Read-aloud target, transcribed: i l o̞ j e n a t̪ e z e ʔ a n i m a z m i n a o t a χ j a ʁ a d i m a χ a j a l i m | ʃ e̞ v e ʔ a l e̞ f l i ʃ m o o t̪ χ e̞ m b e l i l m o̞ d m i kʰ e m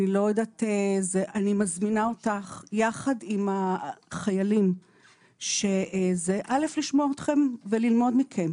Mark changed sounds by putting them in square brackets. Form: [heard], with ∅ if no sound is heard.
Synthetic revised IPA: i l o̞ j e [d] a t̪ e z e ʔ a n i m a z m i n a o t a χ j a [χ] a d i m a χ a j a l i m | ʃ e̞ [z] e ʔ a l e̞ f l i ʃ m o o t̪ χ e̞ m [v] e l i l m o̞ d m i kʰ e m